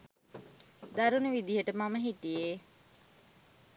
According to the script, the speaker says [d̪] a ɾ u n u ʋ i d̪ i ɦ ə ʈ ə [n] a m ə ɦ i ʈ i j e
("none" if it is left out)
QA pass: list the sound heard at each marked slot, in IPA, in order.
d̪, m

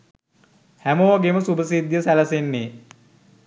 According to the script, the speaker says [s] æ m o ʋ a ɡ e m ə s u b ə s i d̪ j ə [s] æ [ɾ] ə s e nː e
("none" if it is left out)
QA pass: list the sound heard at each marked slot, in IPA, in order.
h, s, l

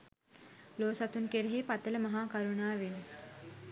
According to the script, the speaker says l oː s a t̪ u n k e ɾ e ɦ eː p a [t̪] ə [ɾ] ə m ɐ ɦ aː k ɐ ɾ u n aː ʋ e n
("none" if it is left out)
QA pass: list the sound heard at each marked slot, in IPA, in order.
t̪, l

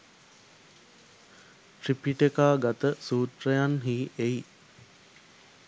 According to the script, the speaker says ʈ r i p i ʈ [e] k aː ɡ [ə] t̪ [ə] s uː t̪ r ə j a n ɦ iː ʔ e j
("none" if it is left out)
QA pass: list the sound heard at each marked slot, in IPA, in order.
e, a, ə

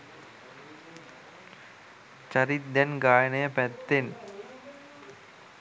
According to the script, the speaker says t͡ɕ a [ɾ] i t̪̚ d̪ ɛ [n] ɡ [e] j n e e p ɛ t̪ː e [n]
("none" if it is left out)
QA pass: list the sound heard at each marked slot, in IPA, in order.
ɾ, n, a, n

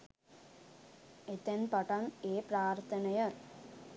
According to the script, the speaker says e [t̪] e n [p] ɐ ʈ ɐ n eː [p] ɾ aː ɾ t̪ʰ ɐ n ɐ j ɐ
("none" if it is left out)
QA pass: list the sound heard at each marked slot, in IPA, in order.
t̪, p, p

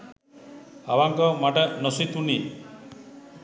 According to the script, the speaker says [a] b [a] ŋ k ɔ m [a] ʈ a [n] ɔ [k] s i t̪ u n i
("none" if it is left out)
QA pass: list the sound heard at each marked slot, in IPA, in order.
a, a, a, n, none

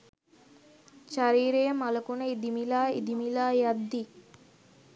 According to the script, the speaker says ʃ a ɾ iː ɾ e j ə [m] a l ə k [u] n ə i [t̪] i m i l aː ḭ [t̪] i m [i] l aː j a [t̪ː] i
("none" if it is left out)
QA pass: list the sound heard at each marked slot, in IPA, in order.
m, u, d̪, d̪, i, d̪ː

